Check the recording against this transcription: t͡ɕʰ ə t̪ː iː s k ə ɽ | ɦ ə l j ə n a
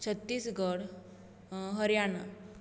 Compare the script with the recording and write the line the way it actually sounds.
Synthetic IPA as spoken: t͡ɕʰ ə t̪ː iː s ɡ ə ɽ | ɦ ə ɾ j a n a